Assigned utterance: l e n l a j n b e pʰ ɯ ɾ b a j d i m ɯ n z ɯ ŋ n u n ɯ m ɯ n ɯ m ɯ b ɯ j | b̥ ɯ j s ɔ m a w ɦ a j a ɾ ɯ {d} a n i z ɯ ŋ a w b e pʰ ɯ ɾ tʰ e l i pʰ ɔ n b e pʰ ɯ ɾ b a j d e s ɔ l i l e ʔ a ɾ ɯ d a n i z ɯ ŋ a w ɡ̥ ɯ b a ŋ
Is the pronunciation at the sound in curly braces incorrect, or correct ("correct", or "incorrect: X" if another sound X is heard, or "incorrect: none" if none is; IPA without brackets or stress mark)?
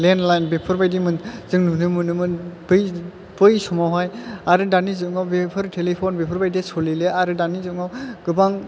correct